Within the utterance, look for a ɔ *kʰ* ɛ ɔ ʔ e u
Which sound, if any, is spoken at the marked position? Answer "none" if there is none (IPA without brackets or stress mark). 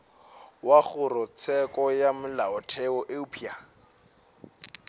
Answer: tʰ